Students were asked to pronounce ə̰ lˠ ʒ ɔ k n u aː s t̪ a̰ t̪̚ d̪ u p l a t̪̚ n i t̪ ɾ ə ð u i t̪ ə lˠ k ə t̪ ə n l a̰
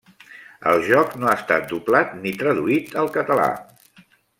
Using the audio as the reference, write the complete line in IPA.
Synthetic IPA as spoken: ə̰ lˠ ʒ ɔ k n o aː s t̪ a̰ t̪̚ d̪ u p l a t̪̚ n i t̪ ɾ ə ð u i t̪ ə lˠ k ə t̪ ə l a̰